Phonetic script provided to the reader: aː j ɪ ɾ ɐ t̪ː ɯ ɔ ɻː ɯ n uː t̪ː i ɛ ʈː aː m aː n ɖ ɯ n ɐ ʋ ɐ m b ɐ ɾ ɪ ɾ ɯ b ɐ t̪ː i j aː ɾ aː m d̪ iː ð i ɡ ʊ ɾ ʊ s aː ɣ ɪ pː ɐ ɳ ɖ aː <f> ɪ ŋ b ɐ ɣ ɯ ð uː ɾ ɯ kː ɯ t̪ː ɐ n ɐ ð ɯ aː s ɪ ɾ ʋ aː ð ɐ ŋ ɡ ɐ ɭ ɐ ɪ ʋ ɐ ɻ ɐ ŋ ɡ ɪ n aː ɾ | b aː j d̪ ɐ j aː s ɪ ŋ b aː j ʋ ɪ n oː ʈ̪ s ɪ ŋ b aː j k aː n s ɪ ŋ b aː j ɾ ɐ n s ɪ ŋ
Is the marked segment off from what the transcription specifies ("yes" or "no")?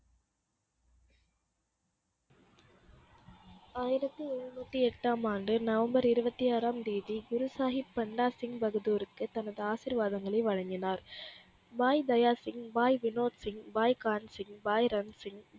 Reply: yes